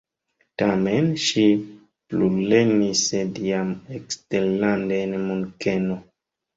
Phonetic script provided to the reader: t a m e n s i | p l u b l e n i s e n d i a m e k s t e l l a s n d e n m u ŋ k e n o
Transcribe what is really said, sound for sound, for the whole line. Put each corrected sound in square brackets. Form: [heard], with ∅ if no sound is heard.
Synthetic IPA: t a m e n [ʃ] i | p l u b l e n i s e [∅] d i a m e k s t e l l a [∅] n d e n m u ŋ k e n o